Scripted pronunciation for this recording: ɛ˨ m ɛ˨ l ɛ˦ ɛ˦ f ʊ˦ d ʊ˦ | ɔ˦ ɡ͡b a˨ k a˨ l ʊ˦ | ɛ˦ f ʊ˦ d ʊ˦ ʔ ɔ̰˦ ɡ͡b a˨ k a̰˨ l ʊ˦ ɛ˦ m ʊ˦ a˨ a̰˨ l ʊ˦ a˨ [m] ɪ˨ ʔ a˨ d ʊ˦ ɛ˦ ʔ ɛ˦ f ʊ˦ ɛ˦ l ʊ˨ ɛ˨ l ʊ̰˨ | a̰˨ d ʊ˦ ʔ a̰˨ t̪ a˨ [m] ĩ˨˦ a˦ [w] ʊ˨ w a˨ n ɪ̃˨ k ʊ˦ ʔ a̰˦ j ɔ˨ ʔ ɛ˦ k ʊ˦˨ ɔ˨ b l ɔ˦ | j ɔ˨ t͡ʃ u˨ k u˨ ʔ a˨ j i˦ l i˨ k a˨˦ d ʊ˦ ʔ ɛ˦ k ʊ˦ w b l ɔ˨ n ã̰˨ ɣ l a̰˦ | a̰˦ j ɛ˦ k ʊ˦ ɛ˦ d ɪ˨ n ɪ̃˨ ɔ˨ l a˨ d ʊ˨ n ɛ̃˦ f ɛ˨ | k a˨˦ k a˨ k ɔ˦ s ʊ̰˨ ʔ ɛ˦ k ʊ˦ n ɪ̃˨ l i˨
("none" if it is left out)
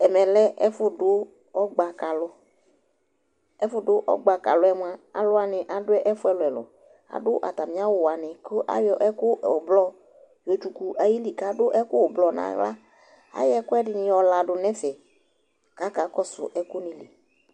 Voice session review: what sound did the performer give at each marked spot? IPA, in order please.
n, m, w

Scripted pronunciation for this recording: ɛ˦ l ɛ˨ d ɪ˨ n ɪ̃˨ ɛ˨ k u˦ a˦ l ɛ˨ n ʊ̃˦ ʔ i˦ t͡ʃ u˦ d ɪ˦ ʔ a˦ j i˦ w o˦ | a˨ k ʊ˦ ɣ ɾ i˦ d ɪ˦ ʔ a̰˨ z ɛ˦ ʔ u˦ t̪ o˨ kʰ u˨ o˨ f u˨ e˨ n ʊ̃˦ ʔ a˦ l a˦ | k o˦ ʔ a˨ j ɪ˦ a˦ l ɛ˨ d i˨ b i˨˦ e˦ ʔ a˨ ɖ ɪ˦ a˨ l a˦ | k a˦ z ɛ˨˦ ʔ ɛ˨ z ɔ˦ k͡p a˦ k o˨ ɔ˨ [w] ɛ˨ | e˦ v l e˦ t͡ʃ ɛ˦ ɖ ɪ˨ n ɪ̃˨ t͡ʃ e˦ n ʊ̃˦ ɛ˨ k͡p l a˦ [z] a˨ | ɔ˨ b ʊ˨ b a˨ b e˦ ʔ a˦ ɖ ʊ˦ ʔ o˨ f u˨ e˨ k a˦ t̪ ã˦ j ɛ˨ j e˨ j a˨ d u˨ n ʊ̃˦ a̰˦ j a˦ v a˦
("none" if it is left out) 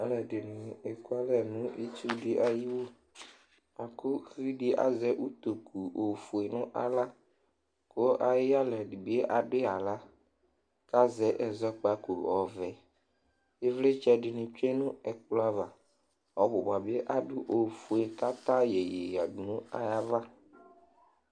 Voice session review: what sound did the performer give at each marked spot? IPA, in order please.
v, v

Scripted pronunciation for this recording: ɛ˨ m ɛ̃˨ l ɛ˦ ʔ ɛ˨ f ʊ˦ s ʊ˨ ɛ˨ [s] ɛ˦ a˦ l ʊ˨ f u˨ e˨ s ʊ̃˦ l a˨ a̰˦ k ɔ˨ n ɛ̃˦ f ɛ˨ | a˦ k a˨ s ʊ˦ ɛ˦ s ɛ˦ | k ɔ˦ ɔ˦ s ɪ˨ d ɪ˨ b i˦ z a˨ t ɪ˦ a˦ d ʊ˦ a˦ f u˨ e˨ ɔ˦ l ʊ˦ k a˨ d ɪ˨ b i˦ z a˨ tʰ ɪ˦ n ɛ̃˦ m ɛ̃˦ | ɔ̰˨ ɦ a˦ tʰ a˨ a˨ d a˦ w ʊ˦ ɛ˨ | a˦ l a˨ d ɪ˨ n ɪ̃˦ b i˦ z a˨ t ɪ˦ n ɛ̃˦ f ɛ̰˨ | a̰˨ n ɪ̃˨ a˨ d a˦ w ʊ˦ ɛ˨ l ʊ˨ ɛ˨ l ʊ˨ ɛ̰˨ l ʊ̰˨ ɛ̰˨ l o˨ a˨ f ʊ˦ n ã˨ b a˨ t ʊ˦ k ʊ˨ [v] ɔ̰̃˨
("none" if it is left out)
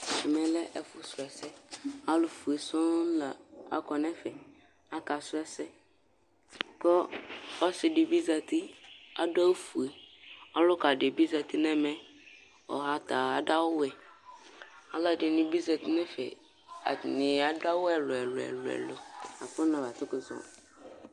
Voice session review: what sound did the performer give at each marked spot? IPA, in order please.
s, z

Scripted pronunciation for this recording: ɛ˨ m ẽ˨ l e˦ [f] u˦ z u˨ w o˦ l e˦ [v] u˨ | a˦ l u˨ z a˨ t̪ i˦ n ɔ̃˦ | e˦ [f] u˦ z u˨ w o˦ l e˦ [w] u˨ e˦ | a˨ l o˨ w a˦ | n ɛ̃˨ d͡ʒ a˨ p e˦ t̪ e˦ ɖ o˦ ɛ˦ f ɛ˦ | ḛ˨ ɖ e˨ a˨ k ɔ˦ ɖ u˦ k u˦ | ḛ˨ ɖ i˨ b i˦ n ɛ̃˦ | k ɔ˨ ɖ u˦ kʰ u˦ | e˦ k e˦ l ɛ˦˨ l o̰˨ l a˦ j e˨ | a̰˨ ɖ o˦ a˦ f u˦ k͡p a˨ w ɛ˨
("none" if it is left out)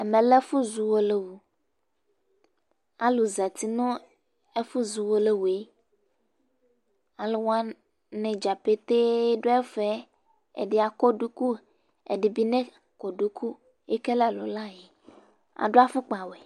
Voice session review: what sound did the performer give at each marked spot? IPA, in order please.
f, w, f, w

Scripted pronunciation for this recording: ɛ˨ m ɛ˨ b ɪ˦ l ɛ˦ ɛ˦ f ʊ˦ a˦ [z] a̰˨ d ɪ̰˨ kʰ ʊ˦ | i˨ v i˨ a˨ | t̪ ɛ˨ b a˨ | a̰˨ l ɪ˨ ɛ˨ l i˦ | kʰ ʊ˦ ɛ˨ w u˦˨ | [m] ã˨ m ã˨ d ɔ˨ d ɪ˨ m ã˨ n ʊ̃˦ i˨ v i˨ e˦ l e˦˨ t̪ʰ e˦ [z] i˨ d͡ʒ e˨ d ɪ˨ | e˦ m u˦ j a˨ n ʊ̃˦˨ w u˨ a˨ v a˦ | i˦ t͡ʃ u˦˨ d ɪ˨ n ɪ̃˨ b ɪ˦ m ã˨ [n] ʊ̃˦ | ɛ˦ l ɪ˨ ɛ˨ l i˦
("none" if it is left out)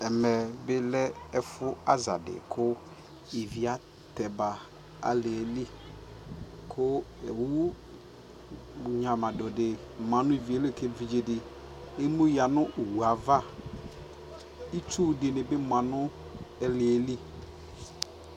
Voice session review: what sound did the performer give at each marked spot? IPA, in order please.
z, ɲ, v, n

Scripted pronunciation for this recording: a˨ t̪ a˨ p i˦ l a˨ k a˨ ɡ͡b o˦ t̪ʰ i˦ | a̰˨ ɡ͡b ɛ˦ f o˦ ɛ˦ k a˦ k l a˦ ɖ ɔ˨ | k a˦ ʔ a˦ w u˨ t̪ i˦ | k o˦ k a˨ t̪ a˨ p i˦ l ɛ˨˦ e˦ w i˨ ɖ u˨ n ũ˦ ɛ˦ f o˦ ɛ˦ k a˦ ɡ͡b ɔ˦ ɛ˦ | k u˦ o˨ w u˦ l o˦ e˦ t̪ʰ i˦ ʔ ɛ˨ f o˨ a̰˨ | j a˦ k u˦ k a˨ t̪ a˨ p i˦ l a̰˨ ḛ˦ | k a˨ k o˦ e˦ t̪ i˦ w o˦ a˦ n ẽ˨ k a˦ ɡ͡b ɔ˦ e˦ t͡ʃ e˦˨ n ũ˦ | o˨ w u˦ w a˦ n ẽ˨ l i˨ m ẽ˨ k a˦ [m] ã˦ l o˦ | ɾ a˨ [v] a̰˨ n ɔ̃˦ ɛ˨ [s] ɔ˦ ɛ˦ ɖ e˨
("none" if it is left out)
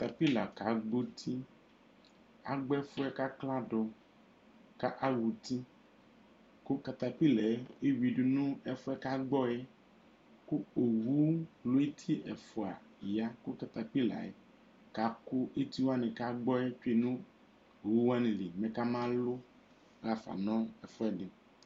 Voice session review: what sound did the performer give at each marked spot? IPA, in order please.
m, f, f

